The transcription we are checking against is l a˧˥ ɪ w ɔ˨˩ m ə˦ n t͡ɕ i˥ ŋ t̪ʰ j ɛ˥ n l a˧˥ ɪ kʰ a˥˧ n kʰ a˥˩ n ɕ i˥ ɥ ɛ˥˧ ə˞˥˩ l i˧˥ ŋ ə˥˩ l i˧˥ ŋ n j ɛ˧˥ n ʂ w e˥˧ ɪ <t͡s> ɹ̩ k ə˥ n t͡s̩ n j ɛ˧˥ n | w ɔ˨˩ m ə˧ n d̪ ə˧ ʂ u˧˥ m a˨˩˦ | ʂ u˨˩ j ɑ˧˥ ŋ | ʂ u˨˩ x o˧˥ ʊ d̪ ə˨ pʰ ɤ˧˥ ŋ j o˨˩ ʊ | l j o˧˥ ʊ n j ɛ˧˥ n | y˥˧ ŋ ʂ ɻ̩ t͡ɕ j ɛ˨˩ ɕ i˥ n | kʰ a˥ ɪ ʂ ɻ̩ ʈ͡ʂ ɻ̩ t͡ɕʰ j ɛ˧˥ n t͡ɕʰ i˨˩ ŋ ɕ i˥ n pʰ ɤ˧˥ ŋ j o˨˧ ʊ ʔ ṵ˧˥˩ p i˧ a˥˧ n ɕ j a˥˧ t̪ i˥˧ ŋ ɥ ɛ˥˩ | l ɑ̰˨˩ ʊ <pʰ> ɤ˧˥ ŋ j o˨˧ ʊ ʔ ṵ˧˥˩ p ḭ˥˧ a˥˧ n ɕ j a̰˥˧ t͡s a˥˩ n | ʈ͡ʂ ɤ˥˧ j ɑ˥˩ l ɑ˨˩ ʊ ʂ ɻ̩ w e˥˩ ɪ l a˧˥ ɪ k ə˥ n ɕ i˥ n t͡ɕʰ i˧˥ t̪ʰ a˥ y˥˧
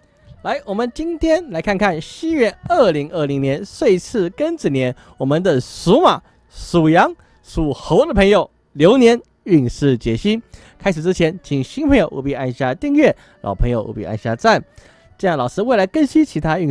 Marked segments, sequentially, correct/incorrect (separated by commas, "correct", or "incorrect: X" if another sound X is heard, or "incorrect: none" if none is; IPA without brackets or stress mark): incorrect: t͡sʰ, correct